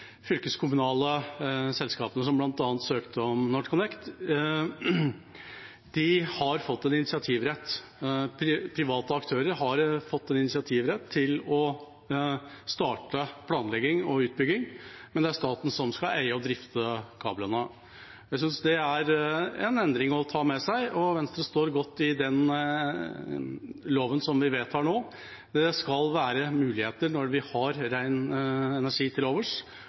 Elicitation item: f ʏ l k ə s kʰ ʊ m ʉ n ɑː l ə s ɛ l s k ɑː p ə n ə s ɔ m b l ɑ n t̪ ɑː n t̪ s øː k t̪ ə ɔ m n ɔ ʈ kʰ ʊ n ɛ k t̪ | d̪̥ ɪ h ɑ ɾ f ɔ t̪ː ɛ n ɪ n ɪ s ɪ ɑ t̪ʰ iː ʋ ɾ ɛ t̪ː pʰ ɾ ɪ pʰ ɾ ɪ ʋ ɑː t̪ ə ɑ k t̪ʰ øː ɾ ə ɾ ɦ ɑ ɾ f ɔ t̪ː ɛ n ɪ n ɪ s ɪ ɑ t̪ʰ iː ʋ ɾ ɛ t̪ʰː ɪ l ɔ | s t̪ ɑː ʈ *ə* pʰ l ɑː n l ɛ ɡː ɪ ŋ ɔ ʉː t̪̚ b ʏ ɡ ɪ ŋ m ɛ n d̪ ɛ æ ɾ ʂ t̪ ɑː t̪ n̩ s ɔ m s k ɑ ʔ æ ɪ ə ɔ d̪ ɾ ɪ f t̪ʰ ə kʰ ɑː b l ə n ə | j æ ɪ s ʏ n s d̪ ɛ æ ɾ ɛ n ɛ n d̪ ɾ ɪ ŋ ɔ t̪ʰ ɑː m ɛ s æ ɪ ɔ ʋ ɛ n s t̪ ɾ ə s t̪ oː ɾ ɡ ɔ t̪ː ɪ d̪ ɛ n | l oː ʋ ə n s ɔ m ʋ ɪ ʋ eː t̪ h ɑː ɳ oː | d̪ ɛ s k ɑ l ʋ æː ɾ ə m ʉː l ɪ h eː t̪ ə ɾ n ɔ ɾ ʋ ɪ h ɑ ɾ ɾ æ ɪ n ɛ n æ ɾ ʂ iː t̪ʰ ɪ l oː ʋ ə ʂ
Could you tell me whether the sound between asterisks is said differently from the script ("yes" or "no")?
no